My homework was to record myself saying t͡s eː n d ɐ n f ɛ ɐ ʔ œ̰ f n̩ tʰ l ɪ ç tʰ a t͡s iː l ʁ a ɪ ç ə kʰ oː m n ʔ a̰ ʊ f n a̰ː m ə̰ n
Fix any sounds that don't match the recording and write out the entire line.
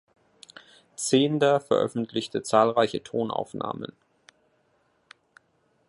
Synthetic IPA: t͡s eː n d ɐ f ɛ ɐ ʔ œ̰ f n̩ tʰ l ɪ ç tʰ ə t͡s aː l ʁ a ɪ ç ə tʰ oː n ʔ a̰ ʊ f n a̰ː m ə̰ n